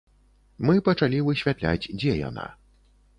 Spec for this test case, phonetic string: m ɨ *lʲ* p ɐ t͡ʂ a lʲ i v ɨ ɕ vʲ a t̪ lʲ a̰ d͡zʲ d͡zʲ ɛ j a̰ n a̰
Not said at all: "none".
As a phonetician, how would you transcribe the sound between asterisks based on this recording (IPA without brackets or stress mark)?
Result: none